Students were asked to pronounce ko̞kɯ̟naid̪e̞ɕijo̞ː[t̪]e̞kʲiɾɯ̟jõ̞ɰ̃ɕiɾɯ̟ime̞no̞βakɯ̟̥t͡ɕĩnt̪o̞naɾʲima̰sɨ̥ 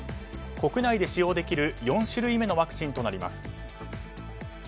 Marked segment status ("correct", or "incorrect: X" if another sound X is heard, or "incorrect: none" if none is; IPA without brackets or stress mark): incorrect: d̪